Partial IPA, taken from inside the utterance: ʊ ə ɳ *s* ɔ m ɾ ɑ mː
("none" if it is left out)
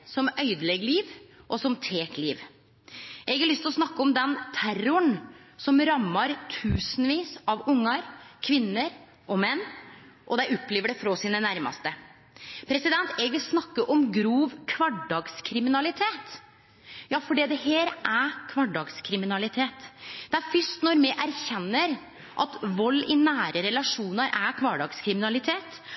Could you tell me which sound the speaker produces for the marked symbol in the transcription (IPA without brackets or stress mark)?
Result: s